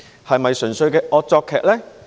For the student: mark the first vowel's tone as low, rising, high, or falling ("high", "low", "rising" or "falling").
low